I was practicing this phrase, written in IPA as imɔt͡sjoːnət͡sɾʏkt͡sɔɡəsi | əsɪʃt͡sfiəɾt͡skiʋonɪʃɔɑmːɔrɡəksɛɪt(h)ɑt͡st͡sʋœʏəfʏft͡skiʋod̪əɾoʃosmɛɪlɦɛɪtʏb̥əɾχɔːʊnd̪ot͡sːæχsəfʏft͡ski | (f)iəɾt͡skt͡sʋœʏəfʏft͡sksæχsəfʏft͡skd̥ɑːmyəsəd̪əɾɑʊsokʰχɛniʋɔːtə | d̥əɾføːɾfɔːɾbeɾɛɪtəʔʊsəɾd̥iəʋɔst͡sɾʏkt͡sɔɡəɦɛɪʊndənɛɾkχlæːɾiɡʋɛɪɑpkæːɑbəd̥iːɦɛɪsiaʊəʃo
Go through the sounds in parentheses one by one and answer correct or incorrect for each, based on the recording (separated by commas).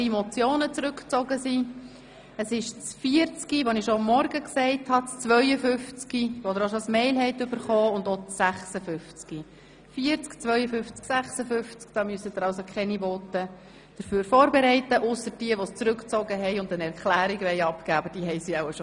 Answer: correct, correct